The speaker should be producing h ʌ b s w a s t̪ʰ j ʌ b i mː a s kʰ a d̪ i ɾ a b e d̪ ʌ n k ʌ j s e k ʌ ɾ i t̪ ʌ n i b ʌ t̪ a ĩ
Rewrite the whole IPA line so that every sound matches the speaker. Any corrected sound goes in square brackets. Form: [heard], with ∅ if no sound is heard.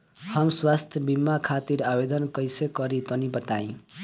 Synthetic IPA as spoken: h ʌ [m] s w a s t̪ʰ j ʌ b i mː a [∅] kʰ a [t̪] i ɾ a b e d̪ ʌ n k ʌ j s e k ʌ ɾ i t̪ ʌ n i b ʌ t̪ a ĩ